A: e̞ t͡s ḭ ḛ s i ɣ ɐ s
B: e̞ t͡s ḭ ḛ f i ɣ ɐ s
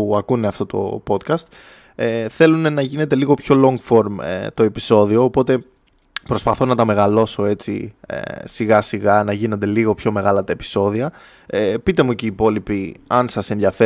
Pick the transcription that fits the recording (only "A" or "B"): A